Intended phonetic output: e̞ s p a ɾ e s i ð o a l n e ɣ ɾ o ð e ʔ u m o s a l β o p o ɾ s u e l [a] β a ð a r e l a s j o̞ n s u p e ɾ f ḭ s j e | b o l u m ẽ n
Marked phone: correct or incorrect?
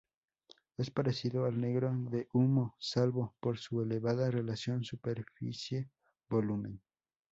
incorrect